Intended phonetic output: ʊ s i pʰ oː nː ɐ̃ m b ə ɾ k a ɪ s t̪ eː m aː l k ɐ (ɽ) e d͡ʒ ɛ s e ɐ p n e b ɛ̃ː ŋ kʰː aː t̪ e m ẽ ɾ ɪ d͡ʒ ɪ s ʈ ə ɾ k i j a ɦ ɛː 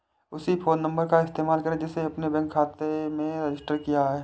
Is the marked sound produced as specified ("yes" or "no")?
no